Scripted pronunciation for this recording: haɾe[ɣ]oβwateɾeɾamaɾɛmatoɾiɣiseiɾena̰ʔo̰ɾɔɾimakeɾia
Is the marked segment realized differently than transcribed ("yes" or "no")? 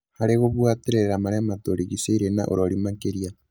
no